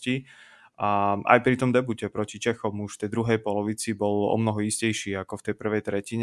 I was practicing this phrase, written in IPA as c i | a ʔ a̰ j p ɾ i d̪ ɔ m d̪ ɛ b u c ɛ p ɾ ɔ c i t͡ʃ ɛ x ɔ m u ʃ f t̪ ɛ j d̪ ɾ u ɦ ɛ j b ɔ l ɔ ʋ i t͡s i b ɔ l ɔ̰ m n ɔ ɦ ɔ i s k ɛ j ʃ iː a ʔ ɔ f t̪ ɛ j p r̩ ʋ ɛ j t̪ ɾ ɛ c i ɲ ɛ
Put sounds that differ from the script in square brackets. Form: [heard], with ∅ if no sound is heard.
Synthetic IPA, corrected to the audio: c i | a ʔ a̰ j p ɾ i [t̪] ɔ m d̪ ɛ b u c ɛ p ɾ ɔ c i t͡ʃ ɛ x ɔ m u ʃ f t̪ ɛ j d̪ ɾ u ɦ ɛ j [p] ɔ l ɔ ʋ i t͡s i b ɔ l ɔ̰ m n ɔ ɦ ɔ i s [c] ɛ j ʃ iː a [k] ɔ f t̪ ɛ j p r̩ ʋ ɛ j t̪ ɾ ɛ c i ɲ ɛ